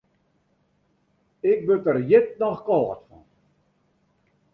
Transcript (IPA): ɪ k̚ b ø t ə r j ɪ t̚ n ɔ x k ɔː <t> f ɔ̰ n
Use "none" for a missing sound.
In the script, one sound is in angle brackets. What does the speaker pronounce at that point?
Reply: t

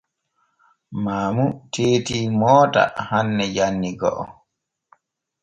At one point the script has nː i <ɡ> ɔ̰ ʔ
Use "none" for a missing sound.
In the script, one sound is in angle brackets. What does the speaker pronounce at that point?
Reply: ɡ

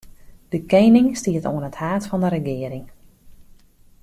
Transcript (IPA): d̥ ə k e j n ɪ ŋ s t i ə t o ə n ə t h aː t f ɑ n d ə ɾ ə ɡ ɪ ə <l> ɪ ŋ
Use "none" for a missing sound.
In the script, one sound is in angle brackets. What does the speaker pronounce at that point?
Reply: ɾ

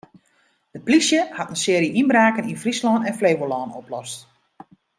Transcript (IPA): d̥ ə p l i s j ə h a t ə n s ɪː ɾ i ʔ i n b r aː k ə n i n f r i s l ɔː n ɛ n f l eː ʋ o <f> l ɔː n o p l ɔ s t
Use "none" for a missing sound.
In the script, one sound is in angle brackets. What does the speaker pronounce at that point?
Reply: none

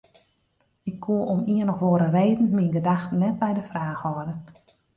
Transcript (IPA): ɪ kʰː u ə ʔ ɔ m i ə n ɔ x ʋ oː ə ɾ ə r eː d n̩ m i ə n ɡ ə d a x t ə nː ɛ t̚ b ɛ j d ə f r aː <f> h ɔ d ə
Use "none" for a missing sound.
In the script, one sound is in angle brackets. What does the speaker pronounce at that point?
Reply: x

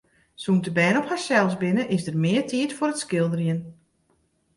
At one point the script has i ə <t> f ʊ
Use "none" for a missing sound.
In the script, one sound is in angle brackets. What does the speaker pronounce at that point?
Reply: t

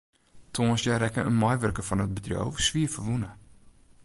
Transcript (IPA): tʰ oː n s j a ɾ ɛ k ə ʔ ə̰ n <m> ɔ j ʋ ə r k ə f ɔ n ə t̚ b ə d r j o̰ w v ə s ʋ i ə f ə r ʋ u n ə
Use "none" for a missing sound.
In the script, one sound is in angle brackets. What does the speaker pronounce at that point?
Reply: m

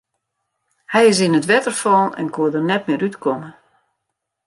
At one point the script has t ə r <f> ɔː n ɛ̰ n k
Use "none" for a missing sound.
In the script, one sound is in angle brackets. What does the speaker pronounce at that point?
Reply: f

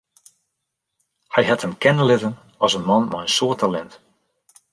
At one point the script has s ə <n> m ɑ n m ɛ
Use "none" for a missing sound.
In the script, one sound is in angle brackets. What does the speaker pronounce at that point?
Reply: n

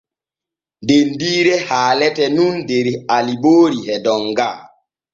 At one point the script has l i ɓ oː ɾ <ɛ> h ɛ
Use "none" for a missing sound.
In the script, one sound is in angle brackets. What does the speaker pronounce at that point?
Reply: i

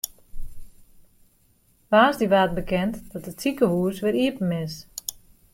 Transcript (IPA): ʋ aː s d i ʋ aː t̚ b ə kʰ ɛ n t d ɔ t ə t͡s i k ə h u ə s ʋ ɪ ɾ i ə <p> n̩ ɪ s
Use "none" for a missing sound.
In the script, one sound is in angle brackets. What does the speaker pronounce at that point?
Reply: p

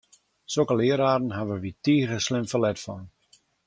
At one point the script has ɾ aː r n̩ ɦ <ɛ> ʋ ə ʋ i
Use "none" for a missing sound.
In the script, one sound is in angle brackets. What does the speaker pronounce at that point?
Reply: a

